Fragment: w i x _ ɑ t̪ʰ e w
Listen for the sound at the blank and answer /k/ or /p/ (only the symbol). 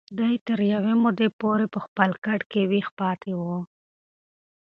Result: p